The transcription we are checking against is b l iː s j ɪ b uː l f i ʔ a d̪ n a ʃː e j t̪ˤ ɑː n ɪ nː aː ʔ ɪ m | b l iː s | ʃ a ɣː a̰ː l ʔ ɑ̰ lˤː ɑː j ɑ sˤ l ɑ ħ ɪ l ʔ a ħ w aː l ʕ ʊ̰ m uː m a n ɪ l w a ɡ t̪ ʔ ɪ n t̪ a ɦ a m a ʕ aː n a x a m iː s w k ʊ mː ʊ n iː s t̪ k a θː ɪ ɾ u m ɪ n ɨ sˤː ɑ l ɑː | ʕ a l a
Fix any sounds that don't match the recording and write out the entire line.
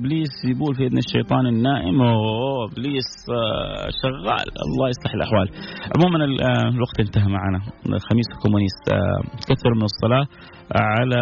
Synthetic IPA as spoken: b l iː s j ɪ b uː l f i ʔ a d̪ n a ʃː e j t̪ˤ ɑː n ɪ nː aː ʔ ɪ m | b l iː s | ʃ a ɣː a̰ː l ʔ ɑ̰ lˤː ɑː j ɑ sˤ l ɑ ħ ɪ l ʔ a ħ w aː l ʕ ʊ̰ m uː m a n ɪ l w a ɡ t̪ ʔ ɪ n t̪ a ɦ a m a ʕ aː n a x a m iː s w k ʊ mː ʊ n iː s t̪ k a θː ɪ ɾ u m ɪ n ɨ sˤː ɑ l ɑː | ʕ a l a